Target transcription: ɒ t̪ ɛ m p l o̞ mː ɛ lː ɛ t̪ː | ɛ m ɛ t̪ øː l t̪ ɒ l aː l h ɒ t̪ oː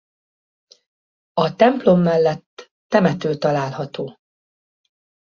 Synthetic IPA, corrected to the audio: ɒ t̪ ɛ m p l o̞ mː ɛ lː ɛ t̪ː | ɛ m ɛ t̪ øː l t̪ ɒ l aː l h ɒ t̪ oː